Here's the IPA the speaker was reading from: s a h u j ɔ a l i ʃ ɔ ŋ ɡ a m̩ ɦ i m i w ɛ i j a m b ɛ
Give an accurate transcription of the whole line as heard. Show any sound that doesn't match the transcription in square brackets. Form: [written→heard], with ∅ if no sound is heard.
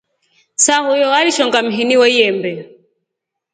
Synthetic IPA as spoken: s a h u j ɔ a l i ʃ ɔ ŋ ɡ a m̩ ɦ i [m→n] i w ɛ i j [a→ɛ] m b ɛ